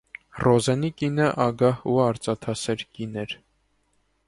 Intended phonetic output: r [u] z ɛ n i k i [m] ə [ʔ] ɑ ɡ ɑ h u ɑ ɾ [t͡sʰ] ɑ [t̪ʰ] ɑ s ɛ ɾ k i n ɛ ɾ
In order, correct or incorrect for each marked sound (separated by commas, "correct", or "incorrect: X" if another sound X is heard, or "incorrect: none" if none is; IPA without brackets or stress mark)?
incorrect: ɔ, incorrect: n, correct, incorrect: t͡s, correct